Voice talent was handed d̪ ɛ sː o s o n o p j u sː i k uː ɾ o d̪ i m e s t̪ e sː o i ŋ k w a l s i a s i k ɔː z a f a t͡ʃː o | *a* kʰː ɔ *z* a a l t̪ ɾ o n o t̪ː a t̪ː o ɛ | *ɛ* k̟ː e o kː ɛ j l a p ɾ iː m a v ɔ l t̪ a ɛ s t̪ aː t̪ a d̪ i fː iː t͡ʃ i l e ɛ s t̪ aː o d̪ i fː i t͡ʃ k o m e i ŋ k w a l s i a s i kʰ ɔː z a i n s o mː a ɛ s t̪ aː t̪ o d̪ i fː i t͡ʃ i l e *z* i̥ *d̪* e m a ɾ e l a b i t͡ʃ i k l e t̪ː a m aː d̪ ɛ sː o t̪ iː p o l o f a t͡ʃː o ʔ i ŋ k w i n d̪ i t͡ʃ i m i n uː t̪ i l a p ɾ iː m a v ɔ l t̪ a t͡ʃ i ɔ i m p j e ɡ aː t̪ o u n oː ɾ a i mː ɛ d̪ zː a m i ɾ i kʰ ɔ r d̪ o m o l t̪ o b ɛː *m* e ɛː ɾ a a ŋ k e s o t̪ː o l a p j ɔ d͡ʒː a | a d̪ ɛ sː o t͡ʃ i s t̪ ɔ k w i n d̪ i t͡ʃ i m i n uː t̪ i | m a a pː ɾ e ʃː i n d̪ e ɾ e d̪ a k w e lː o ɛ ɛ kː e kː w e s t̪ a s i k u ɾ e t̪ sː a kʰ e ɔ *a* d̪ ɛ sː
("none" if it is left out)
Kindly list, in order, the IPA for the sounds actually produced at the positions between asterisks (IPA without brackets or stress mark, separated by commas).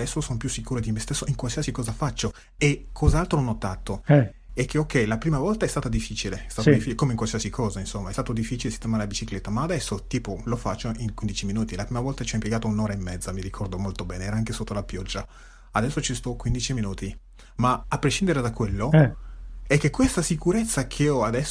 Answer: e, z, ɛ, s, t̪, n, a